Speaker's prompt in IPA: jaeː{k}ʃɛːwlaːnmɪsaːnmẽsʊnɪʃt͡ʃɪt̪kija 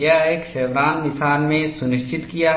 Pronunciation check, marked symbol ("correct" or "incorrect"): correct